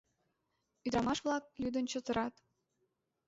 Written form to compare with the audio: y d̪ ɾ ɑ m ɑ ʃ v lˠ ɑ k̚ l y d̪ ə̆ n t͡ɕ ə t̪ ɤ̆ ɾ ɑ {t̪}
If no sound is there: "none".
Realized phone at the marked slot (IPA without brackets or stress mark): t̪